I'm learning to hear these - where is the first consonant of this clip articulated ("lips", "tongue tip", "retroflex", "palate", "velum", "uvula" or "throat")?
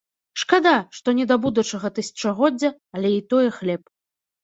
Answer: retroflex